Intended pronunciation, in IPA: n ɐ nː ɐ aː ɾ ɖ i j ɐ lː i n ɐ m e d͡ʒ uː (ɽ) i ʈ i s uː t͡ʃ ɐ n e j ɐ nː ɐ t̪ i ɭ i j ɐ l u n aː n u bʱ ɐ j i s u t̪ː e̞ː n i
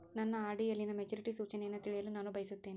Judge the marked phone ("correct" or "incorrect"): incorrect